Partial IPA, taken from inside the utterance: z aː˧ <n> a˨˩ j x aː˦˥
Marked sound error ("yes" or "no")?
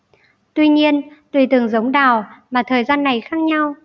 yes